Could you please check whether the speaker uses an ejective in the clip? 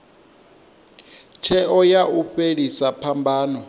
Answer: no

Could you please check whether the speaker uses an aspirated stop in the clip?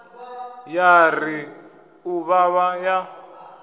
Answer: no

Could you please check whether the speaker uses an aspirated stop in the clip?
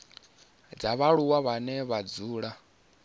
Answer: no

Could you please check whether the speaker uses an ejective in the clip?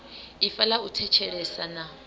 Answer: no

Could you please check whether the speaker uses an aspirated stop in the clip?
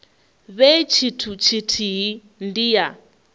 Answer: yes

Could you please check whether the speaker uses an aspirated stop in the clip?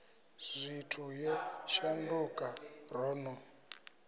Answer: yes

